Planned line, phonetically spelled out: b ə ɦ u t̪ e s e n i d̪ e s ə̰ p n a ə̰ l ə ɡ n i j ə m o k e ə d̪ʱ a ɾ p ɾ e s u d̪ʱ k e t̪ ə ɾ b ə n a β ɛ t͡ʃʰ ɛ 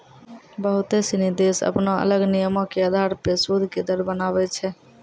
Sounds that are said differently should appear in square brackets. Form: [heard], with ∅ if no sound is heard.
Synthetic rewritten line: b ə ɦ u t̪ e s [i] n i d̪ e s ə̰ p n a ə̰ l ə ɡ n i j ə m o k e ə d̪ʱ a ɾ p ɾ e s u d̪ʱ k e [d̪] ə ɾ b ə n a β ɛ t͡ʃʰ ɛ

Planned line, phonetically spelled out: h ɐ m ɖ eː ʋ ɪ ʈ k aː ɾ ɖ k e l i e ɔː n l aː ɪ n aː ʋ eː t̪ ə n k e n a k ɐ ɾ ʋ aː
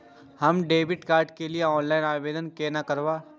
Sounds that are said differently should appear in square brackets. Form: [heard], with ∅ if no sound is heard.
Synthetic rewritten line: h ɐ m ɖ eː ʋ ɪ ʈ k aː ɾ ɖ k e l i e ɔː n l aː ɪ n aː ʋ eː [d̪] ə n k e n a k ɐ ɾ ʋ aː

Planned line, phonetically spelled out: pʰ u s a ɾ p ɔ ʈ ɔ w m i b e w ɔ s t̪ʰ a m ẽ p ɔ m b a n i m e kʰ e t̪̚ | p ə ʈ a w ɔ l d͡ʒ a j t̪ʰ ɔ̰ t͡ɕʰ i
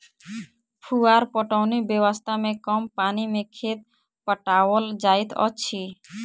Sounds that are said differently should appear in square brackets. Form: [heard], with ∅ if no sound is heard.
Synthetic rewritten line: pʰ u [∅] a ɾ p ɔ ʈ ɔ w [n] i b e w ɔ s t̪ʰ a m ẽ [k] ɔ m [p] a n i m e kʰ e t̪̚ | p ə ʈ a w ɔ l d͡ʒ a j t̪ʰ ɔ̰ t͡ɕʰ i

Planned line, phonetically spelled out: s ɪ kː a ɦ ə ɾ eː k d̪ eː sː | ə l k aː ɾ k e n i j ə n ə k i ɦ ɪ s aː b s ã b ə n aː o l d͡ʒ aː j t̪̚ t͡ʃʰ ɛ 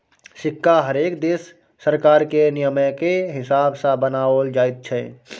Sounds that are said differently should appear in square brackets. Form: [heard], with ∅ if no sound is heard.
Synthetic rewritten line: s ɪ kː a ɦ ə ɾ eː k d̪ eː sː | ə [ɾ] k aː ɾ k e n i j ə [m] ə k [e] ɦ ɪ s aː b s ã b ə n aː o l d͡ʒ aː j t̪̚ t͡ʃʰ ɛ

